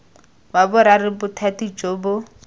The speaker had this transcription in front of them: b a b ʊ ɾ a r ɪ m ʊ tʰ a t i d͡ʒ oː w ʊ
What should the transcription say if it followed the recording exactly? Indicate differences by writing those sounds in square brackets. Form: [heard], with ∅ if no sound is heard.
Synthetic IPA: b a b ʊ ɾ a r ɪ [b] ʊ tʰ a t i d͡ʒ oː [b] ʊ